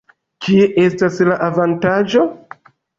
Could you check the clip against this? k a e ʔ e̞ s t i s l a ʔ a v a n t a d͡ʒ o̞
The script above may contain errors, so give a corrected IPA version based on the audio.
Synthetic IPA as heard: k i e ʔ e̞ s t a s l a ʔ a v a n t a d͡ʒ o̞